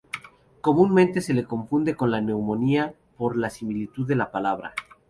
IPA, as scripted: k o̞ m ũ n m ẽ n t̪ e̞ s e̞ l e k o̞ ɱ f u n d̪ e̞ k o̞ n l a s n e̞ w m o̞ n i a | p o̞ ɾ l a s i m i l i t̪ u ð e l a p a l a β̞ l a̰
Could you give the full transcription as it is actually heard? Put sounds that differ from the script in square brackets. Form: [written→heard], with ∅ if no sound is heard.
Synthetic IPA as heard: k o̞ m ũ n m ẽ n t̪ e̞ s e̞ l e k o̞ ɱ f u n d̪ e̞ k o̞ n l a [s→∅] n e̞ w m o̞ n i a | p o̞ ɾ l a s i m i l i t̪ u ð e l a p a l a β̞ [l→ɾ] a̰